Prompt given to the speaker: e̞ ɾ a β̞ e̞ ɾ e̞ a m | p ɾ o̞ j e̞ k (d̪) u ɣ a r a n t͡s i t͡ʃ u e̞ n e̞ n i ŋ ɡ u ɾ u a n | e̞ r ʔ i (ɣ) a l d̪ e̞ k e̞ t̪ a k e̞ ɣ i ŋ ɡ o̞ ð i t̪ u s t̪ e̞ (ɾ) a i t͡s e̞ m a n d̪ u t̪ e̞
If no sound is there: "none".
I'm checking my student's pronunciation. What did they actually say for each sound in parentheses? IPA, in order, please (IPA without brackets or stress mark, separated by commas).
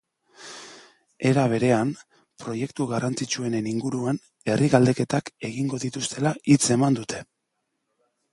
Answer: t̪, ɣ, l